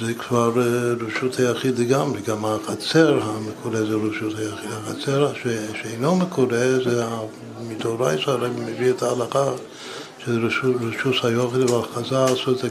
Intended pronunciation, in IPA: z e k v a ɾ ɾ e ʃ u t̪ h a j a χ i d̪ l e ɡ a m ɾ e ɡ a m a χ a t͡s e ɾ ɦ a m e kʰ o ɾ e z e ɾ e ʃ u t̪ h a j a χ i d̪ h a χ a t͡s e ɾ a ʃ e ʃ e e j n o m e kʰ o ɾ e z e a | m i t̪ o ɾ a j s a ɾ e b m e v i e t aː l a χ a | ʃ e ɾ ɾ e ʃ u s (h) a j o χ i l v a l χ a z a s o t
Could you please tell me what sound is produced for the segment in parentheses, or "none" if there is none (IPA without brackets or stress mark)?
h